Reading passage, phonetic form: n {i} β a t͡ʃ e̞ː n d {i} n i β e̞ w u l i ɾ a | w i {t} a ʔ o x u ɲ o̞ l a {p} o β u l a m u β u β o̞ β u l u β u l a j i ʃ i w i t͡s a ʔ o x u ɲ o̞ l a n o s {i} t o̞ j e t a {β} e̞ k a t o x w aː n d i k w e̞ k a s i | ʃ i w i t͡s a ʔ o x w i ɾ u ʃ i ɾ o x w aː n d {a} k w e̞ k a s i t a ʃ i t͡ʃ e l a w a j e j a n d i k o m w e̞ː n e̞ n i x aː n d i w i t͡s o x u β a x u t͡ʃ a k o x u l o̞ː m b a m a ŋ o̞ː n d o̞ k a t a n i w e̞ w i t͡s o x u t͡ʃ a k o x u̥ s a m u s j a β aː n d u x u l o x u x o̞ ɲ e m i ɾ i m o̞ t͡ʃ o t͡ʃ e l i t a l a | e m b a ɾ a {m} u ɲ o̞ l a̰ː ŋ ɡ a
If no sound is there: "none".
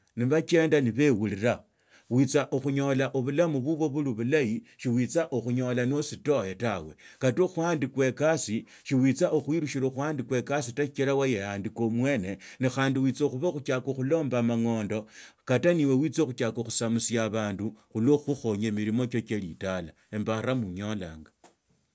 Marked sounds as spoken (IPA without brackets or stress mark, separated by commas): i, a, t͡s, ʔ, i, w, i, m